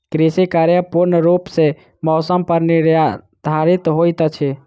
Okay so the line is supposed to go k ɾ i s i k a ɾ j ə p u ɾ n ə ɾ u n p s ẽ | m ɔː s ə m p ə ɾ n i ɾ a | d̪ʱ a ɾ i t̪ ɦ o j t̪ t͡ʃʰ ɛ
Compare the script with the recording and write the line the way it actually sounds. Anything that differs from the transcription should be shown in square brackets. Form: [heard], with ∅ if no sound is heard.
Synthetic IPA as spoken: k ɾ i s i k a ɾ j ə p u ɾ n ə ɾ u [∅] p s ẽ | m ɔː s ə m p ə ɾ n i ɾ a | d̪ʱ a ɾ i t̪ ɦ o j t̪ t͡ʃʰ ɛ